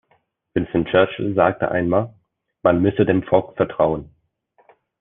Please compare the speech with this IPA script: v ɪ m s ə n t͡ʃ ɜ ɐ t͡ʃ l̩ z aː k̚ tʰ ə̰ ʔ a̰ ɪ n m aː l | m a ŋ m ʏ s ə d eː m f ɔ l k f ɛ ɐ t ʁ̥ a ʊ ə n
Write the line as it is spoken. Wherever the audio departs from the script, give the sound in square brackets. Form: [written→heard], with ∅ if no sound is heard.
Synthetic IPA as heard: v ɪ [m→n] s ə n t͡ʃ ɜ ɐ t͡ʃ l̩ z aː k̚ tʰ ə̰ ʔ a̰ ɪ n m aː l | m a [ŋ→n] m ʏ s ə d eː m f ɔ l k f ɛ ɐ t ʁ̥ a ʊ ə n